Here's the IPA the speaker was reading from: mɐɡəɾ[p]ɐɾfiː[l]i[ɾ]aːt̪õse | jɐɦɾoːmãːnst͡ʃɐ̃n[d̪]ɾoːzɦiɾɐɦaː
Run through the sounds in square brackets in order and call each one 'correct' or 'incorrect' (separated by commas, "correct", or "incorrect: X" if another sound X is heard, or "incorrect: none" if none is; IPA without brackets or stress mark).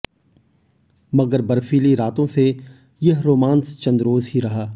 incorrect: b, correct, correct, correct